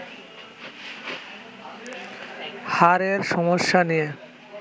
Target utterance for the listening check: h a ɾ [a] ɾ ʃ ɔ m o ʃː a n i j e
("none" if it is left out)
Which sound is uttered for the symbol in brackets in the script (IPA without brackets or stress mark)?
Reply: e